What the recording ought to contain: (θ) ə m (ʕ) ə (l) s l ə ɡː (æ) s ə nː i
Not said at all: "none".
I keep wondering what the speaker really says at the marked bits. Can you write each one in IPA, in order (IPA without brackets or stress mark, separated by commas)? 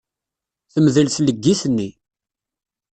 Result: θ, ð, l, i